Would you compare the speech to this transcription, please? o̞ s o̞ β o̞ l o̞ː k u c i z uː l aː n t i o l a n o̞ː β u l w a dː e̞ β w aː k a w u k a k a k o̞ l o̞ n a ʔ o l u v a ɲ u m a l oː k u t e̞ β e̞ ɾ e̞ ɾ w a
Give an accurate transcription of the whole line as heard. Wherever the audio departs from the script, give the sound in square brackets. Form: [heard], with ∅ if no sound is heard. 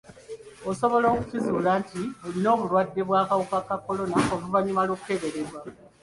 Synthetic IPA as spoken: o̞ s o̞ β o̞ l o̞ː k u c i z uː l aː n t i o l [i] n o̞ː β u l w a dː e̞ β w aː k a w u k a k a k o̞ l o̞ n a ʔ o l u v a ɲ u m a l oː k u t e̞ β e̞ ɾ e̞ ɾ w a